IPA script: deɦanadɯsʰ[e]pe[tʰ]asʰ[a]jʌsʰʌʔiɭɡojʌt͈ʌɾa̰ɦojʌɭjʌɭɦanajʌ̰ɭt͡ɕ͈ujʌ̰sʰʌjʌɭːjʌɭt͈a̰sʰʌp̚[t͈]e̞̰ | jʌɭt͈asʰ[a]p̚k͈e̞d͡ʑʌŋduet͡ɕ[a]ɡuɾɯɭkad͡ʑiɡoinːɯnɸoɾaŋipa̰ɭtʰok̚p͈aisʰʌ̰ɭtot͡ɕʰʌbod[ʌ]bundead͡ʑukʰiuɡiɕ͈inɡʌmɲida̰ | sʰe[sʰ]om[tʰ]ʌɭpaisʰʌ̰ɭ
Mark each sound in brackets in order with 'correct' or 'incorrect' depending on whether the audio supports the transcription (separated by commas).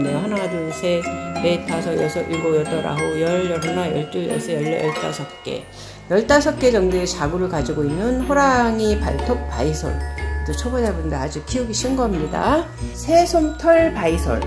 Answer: correct, correct, incorrect, incorrect, incorrect, correct, incorrect, correct, correct